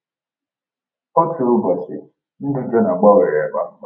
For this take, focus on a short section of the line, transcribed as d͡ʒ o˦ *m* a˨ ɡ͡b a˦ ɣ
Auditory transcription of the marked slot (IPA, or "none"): n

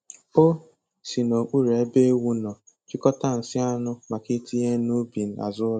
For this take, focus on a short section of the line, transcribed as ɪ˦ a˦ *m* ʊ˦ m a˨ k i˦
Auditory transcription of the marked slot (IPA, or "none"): n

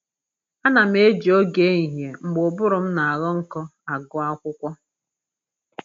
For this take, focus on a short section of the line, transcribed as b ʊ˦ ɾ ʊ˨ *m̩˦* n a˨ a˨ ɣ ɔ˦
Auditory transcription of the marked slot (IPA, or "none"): m̩˦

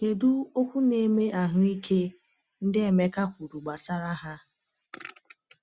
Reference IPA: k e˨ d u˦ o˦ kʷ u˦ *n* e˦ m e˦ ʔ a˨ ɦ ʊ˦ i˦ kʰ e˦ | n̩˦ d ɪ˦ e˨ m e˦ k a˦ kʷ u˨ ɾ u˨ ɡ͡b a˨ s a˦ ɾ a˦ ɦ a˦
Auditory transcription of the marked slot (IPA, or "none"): n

